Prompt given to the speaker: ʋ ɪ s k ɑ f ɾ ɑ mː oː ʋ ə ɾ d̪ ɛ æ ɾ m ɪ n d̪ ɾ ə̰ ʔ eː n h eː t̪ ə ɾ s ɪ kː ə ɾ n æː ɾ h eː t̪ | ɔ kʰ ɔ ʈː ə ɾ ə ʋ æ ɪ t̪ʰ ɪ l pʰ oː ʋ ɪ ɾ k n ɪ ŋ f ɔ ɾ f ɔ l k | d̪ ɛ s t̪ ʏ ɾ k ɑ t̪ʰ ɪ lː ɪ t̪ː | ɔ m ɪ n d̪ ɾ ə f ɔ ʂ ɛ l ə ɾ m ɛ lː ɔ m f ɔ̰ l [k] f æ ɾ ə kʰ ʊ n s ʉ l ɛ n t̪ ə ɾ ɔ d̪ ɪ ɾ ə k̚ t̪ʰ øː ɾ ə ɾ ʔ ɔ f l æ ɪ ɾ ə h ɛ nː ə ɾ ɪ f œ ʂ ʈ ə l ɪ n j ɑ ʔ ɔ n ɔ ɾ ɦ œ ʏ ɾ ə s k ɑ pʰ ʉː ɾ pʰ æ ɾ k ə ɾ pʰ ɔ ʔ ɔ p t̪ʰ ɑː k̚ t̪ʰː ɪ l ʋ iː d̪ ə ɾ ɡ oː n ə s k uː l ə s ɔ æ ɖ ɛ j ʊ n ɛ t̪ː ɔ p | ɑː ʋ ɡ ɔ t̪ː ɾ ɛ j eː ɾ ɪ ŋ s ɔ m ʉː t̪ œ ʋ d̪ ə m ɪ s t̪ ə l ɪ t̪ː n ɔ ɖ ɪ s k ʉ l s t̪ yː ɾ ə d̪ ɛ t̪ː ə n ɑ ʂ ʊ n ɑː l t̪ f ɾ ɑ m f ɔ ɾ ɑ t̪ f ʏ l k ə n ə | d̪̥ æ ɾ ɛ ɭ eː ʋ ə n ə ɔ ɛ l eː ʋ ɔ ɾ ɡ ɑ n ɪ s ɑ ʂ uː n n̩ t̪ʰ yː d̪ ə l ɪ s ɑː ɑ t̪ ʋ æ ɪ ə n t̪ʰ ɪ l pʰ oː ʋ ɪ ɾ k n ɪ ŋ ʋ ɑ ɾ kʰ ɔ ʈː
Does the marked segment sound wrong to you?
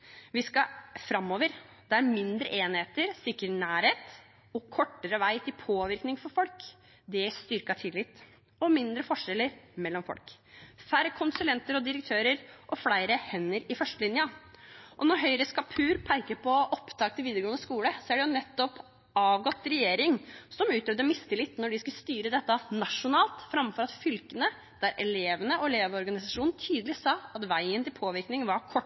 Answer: no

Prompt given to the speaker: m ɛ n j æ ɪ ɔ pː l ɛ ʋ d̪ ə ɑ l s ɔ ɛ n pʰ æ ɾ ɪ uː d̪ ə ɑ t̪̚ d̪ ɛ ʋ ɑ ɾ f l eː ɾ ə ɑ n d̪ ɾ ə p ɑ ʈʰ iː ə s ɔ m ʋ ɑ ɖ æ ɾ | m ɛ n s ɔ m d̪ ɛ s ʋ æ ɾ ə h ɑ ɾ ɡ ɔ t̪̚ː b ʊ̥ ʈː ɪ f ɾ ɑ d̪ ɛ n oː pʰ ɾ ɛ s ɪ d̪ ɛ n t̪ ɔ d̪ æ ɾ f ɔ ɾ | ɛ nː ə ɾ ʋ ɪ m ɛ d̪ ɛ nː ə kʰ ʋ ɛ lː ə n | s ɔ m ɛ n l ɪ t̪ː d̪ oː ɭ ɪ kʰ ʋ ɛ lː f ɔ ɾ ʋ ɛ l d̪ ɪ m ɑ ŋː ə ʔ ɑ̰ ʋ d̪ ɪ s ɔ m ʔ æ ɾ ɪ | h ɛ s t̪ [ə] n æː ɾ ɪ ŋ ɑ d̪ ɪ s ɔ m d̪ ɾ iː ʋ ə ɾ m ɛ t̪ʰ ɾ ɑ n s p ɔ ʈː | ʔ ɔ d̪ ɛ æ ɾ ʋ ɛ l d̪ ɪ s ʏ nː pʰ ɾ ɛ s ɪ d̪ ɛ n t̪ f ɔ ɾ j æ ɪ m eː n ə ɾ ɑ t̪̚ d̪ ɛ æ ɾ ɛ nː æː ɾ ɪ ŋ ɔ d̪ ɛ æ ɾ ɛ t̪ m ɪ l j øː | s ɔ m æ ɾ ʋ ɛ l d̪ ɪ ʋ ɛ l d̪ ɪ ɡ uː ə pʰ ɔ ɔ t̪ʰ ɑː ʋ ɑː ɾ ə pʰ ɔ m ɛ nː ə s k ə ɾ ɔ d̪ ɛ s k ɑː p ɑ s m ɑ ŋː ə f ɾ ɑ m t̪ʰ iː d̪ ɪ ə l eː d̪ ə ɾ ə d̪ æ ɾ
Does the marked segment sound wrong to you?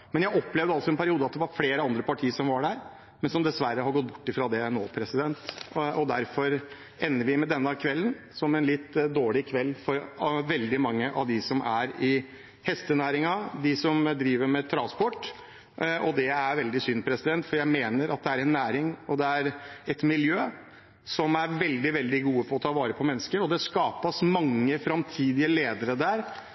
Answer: no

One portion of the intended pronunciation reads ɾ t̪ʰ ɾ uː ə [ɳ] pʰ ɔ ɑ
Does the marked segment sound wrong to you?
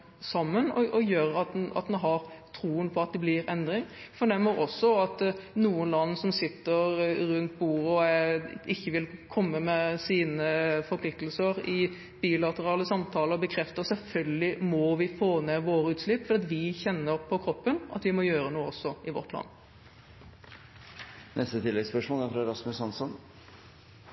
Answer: yes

